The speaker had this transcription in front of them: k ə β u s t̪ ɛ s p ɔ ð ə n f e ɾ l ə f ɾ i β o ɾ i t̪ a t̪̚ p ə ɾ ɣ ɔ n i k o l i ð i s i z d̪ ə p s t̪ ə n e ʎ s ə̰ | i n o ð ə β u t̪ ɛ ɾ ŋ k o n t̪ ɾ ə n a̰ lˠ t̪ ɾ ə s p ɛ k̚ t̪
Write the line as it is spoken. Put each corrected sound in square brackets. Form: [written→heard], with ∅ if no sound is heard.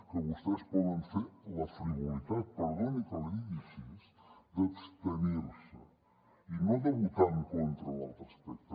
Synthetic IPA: k ə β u s t̪ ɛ s p ɔ ð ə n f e ɾ l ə f ɾ i β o [ɾ→l] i t̪ a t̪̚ p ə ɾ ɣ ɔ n i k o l i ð i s i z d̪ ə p s t̪ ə n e [ʎ→ɾ] s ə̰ | i n o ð ə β u t̪ [ɛ→a] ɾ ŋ k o n t̪ ɾ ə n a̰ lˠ t̪ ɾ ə s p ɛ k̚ t̪